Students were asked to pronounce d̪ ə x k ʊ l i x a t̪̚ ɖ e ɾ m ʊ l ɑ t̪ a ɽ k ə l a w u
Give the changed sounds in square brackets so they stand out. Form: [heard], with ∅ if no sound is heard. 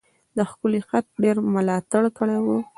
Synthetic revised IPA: d̪ ə x k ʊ l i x a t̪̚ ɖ e ɾ m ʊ l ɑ t̪ a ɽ k ə [ɽ] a w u